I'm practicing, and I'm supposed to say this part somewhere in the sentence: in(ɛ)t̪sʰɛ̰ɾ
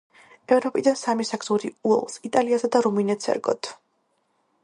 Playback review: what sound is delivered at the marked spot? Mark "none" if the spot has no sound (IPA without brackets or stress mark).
ɛ